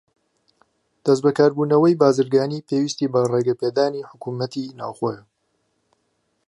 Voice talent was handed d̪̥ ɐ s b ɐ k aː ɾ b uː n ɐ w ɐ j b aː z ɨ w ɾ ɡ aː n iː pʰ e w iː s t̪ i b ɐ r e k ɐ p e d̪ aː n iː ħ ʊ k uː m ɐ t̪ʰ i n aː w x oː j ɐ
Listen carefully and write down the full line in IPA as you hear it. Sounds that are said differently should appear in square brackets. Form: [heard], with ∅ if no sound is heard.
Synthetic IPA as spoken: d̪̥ ɐ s b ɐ k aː ɾ b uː n ɐ w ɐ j b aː z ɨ [∅] ɾ ɡ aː n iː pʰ e w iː s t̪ i b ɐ r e [ɡ] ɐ p e d̪ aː n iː ħ ʊ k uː m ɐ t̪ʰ i n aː w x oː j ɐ